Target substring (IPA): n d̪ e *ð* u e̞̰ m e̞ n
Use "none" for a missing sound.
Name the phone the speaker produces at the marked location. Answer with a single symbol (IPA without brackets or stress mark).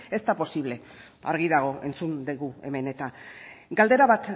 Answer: ɣ